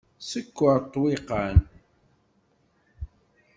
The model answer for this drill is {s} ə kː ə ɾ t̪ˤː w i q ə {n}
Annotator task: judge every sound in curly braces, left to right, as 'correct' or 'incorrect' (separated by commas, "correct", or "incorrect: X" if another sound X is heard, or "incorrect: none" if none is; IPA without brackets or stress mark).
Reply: correct, correct